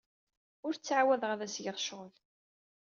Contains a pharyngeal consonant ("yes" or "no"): yes